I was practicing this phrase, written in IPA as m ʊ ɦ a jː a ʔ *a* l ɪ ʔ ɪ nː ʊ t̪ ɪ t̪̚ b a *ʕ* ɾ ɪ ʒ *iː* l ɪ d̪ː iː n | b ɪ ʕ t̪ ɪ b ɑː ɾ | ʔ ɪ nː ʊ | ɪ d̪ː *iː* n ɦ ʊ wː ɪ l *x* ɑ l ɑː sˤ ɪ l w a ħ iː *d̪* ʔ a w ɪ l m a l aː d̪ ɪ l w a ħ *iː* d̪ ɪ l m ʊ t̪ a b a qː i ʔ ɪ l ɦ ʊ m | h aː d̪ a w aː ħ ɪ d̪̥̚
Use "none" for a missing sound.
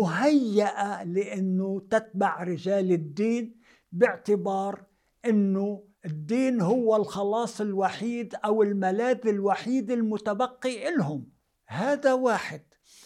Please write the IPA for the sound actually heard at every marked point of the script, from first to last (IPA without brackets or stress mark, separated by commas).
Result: a, ʕ, aː, iː, x, d̪, iː